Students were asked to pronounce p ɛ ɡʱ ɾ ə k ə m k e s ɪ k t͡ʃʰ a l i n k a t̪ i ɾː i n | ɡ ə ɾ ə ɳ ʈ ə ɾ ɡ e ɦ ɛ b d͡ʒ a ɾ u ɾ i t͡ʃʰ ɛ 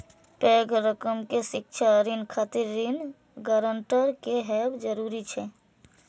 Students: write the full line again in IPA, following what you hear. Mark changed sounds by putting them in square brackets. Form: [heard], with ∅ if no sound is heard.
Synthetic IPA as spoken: p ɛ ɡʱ ɾ ə k ə m k e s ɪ k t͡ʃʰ a [ɾ] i n [kʰ] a t̪ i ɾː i n | ɡ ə ɾ ə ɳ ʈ ə ɾ [k] e ɦ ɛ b d͡ʒ [ə] ɾ u ɾ i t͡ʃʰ ɛ